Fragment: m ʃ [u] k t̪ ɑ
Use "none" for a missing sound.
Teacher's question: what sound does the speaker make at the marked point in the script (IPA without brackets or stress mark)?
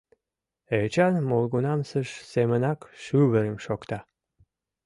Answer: o